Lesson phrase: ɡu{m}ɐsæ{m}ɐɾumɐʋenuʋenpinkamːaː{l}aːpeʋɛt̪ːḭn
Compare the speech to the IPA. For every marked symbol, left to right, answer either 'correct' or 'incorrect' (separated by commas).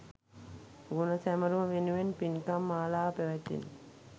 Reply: incorrect, correct, correct